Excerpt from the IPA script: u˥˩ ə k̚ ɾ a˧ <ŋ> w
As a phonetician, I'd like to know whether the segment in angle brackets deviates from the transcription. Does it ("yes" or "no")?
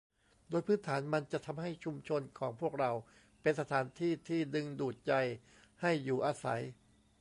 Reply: yes